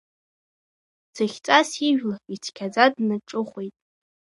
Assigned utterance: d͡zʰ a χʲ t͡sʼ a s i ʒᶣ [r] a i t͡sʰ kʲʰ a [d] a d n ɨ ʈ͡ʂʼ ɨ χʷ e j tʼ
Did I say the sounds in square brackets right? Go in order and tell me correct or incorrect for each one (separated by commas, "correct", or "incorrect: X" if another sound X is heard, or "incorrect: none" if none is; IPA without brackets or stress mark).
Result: incorrect: l, incorrect: d͡z